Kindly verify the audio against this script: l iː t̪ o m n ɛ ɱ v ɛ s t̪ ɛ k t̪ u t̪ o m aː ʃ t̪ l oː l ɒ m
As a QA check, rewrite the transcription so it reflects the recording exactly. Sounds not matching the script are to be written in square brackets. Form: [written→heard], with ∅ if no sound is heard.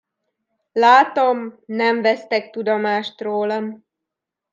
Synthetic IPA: l [iː→aː] t̪ o m n ɛ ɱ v ɛ s t̪ ɛ k t̪ u [t̪→d̪] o m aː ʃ t̪ [l→r] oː l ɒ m